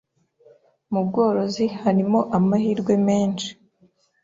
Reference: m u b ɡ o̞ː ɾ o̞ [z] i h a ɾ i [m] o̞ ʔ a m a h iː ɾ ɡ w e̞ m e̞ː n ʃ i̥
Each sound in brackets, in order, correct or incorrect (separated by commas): correct, correct